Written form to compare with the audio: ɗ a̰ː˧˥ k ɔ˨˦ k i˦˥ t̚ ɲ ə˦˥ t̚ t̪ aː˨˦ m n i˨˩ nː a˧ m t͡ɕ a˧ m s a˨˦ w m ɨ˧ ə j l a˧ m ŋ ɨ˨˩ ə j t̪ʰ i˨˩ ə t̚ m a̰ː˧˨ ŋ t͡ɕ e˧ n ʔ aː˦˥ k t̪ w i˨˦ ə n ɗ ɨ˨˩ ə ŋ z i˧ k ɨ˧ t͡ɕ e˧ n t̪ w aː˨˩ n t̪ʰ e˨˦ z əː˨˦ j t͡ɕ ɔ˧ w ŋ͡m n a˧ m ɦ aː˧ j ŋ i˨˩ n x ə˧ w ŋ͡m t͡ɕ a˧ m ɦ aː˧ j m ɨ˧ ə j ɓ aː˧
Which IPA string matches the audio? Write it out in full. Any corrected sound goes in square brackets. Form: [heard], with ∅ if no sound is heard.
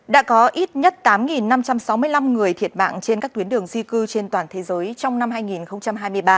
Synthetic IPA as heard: ɗ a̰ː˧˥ k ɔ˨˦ [ʔ] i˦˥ t̚ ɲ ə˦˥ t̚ t̪ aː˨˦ m [ŋ] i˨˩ nː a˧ m t͡ɕ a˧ m s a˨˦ w m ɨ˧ ə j l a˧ m ŋ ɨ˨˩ ə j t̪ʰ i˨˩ ə t̚ m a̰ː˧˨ ŋ t͡ɕ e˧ n [k] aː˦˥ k t̪ w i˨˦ ə n ɗ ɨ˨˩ ə ŋ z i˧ k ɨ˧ t͡ɕ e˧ n t̪ w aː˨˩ n t̪ʰ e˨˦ z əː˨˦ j t͡ɕ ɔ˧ w ŋ͡m n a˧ m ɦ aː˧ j ŋ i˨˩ n x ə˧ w ŋ͡m t͡ɕ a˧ m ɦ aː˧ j m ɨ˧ ə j ɓ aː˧